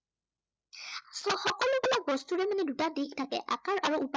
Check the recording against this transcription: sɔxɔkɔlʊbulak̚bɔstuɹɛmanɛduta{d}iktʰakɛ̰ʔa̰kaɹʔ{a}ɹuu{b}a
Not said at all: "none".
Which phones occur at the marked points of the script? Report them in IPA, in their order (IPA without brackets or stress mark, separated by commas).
d, a, p